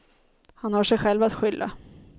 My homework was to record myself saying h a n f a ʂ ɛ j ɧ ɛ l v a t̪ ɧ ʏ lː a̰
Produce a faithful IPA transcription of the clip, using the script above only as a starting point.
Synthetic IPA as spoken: h a n h a ʂ ɛ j ɧ ɛ l v a t̪ ɧ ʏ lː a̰